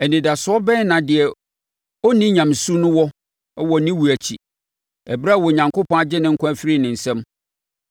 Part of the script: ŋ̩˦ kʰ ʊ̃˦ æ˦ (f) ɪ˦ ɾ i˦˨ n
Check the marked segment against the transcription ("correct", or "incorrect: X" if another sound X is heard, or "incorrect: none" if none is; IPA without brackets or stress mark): correct